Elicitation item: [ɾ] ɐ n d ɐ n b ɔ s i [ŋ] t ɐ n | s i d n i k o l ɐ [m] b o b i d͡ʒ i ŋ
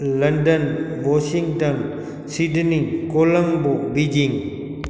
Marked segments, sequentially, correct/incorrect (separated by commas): incorrect, correct, incorrect